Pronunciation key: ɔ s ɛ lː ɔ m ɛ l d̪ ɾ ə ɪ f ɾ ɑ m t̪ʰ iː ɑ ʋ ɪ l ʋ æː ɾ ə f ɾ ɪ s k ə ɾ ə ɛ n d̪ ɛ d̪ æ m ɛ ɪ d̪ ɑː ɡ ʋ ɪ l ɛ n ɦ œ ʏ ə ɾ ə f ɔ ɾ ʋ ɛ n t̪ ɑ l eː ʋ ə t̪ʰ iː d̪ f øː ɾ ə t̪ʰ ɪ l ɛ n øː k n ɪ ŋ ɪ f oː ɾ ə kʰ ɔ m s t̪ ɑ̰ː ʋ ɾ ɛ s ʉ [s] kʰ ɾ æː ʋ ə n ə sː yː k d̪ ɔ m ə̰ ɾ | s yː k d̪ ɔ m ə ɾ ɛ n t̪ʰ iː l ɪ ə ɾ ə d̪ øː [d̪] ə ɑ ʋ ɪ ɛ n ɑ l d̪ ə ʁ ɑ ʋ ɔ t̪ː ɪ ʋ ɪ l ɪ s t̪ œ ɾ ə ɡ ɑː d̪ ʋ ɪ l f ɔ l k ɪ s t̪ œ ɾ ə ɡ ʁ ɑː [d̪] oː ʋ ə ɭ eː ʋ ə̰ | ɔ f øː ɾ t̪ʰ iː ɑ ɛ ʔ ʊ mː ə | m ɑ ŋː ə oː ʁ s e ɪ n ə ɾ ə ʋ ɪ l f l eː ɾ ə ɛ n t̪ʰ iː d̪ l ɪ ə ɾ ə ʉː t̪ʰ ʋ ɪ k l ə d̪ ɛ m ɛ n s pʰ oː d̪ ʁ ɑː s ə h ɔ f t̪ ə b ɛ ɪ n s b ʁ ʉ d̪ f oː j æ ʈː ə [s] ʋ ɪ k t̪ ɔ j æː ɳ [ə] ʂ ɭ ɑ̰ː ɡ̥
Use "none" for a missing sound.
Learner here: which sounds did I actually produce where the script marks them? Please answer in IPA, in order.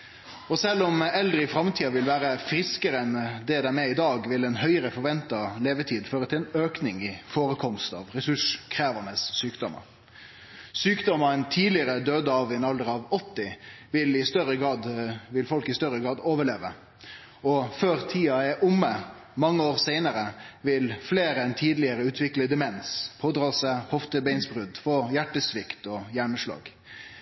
ʂ, d̪, d̪, s, ə

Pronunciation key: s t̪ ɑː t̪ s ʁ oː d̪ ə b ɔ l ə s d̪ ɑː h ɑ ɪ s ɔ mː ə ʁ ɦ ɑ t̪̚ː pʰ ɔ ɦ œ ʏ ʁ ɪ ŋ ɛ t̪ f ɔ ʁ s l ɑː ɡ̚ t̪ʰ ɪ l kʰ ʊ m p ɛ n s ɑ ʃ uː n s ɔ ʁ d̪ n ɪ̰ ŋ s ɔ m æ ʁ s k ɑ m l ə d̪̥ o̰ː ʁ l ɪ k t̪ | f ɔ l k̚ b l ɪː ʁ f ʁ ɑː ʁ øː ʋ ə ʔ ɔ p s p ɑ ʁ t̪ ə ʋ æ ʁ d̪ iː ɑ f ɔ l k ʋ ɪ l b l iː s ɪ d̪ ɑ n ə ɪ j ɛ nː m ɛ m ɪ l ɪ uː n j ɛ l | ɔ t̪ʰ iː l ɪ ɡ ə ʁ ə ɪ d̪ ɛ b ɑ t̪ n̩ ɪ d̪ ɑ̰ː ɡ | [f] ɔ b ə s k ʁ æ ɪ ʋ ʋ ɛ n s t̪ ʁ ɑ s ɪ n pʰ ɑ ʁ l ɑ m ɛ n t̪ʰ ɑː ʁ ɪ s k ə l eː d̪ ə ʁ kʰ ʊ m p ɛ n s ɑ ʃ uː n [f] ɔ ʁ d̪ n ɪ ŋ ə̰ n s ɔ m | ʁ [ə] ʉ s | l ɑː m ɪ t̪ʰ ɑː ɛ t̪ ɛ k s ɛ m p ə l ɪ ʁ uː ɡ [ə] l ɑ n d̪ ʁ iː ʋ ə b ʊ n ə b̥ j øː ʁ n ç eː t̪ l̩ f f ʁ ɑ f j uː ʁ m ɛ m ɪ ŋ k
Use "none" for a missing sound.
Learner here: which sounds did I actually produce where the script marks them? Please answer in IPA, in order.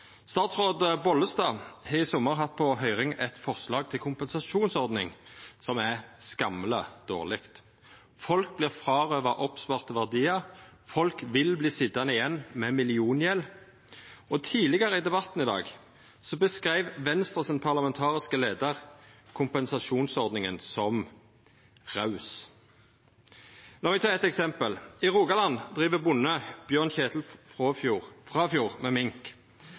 s, s, ɑ, ɑ

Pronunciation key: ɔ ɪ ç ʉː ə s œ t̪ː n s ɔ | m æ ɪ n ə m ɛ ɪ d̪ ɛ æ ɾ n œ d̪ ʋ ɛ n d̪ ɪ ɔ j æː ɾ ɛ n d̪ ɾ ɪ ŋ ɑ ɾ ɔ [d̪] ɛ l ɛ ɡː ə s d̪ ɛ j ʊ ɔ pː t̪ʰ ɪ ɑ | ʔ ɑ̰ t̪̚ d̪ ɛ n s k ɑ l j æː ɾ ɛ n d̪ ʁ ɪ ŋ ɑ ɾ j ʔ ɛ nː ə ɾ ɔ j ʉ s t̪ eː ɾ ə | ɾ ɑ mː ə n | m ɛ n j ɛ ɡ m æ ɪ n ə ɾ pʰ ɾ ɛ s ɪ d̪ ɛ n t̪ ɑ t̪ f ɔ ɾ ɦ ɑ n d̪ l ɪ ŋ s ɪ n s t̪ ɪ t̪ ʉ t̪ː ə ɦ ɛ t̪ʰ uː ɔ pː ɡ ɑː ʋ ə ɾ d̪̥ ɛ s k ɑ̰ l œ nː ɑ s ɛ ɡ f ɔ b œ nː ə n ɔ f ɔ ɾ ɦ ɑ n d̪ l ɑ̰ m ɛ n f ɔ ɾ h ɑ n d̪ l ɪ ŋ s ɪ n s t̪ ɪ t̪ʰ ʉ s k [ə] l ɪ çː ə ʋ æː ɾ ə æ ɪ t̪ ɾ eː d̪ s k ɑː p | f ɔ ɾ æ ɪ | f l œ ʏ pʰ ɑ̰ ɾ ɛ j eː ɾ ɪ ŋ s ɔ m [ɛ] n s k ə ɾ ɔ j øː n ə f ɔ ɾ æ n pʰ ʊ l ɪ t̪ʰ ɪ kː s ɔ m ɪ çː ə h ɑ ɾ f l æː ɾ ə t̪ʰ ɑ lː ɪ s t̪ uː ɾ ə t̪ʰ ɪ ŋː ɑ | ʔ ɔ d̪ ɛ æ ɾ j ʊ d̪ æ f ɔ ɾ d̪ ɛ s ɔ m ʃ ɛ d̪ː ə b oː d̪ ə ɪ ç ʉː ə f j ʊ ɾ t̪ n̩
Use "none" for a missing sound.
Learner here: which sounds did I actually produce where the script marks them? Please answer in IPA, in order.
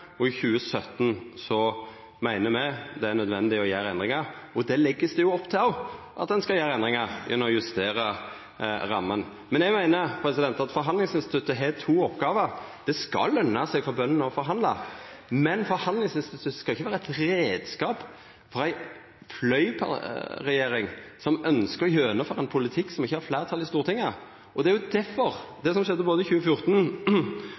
d̪, ɑ, œ

